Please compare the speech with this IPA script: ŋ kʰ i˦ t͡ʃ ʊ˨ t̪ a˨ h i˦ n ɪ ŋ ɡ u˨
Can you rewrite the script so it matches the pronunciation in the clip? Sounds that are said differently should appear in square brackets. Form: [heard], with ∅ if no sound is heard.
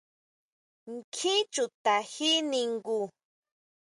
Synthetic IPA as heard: ŋ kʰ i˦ t͡ʃ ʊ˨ t̪ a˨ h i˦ n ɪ ŋ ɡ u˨